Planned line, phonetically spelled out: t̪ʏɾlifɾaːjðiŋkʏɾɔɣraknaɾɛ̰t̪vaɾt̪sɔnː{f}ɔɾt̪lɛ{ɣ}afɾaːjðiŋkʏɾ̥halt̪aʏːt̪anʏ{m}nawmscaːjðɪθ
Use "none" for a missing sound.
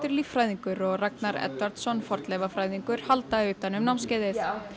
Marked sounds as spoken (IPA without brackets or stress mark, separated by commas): f, v, m